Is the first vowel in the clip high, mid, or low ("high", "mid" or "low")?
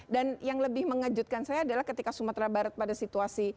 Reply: low